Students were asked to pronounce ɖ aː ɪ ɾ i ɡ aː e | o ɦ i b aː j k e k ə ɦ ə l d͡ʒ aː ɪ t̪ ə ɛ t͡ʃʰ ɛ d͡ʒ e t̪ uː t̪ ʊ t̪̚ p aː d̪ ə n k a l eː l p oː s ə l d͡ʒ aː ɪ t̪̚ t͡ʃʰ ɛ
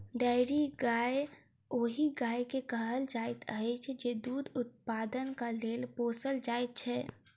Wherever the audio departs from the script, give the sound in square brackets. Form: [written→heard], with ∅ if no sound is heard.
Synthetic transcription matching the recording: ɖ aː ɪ ɾ i ɡ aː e | o ɦ i [b→ɡ] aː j k e k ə ɦ ə l d͡ʒ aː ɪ t̪ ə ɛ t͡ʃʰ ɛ d͡ʒ e [t̪→d̪] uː [t̪→d̪] ʊ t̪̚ p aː d̪ ə n k a l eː l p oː s ə l d͡ʒ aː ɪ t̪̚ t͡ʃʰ ɛ